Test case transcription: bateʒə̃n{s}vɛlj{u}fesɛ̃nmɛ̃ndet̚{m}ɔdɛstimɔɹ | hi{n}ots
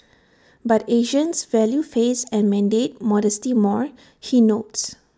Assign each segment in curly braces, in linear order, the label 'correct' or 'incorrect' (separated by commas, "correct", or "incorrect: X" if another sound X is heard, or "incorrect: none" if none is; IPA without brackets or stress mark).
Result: correct, correct, correct, correct